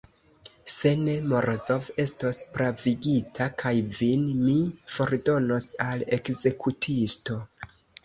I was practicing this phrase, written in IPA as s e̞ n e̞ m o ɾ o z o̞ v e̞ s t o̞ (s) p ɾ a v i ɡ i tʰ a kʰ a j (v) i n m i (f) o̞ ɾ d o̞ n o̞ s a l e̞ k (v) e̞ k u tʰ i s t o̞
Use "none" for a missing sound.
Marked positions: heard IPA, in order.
s, v, f, z

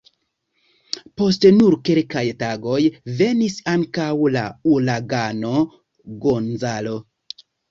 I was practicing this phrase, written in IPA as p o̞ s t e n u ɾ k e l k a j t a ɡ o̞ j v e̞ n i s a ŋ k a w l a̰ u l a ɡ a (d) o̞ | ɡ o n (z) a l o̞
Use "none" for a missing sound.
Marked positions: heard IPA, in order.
n, z

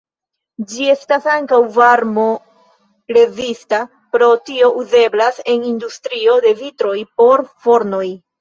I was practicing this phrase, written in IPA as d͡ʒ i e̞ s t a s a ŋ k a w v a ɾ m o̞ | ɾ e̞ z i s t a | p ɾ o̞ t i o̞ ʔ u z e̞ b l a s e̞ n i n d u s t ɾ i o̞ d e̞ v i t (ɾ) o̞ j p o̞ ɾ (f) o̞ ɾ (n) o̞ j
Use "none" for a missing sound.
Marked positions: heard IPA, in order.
ɾ, f, n

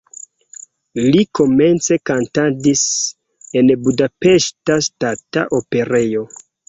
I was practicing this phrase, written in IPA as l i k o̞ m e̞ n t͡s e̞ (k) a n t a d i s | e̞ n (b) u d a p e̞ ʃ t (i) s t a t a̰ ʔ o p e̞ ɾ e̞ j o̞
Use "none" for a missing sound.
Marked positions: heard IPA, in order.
k, b, a

